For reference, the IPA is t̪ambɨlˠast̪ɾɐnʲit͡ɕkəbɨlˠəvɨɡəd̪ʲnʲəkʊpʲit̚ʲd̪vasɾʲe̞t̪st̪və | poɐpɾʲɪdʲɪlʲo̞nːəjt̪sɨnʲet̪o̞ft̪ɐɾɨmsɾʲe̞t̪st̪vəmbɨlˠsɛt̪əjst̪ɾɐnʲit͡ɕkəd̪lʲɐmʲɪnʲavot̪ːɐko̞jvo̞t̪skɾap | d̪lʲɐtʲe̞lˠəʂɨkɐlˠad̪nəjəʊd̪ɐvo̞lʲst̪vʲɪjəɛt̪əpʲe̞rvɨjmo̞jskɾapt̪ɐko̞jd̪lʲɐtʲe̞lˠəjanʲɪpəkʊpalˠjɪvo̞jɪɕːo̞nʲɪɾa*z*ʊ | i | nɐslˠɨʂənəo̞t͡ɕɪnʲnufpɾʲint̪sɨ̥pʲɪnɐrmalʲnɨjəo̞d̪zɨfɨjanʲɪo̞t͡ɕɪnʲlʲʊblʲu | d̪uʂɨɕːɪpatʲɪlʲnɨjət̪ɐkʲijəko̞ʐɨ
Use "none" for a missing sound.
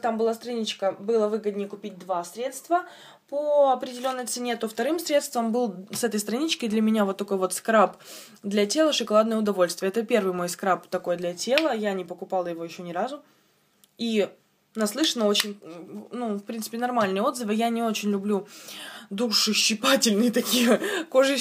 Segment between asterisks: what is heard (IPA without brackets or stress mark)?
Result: z